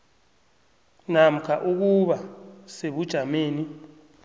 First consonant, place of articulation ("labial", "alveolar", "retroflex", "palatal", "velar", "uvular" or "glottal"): alveolar